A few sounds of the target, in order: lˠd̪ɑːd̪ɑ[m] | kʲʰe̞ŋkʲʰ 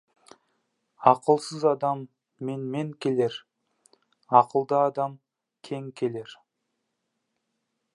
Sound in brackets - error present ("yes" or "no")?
no